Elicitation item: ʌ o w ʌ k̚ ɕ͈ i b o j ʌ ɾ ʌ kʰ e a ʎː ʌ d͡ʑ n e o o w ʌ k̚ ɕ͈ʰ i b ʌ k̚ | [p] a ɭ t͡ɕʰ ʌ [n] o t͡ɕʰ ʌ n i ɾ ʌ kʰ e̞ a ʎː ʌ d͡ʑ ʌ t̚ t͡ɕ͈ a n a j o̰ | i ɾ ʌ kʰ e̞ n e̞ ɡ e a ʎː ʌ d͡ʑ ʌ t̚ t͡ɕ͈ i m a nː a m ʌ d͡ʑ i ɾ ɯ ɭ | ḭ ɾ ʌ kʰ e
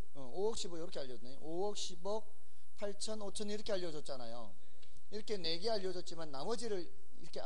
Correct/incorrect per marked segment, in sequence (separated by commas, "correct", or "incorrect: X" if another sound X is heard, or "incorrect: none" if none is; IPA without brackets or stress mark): incorrect: pʰ, correct